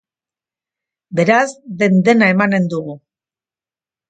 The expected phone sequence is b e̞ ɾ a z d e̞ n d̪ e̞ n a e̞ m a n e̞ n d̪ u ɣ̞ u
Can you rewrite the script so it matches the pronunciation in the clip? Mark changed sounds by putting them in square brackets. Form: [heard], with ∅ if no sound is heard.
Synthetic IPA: b e̞ ɾ a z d e̞ n d̪ e̞ n a e̞ m a n e̞ n d̪ u ɣ̞ u